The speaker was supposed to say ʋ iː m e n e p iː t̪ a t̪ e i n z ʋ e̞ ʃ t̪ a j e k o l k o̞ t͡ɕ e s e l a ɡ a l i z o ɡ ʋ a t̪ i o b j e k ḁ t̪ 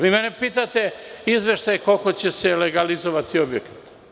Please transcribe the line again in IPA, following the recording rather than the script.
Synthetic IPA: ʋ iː m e n e p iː t̪ a t̪ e i z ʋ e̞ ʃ t̪ a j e k o l k o̞ t͡ɕ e s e l e ɡ a l i z o ʋ a t̪ i o b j e k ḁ t̪